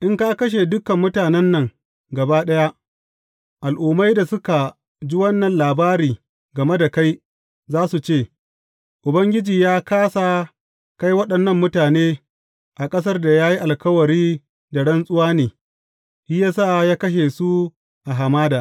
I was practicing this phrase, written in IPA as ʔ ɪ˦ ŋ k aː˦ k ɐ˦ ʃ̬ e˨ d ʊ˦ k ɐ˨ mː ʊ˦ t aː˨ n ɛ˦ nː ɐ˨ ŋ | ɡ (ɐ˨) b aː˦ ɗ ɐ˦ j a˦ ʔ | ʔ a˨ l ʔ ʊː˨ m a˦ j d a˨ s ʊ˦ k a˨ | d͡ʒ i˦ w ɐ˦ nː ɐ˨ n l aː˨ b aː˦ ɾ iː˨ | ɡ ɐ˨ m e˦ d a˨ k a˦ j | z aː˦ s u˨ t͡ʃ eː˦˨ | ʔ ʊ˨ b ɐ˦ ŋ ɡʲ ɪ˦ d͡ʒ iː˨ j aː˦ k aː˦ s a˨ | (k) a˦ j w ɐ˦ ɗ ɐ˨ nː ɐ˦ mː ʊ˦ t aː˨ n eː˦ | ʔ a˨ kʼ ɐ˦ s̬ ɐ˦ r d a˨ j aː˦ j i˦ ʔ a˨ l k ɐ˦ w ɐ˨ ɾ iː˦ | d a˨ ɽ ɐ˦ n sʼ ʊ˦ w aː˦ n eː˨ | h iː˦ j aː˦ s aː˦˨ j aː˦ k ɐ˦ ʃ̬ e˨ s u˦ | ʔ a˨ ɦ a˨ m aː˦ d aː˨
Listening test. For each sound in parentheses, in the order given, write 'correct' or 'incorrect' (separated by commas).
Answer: correct, correct